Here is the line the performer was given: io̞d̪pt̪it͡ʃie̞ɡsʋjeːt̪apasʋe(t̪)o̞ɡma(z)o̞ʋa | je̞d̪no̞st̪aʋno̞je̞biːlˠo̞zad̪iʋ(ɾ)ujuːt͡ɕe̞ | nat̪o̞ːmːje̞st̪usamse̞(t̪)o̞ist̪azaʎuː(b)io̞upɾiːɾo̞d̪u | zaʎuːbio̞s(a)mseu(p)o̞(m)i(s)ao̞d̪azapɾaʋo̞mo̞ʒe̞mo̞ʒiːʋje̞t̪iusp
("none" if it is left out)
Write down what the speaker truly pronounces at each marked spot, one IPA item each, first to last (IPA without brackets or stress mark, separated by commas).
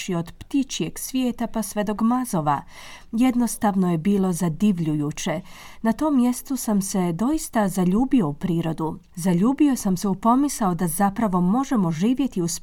d̪, z, ʎ, d̪, b, a, p, m, s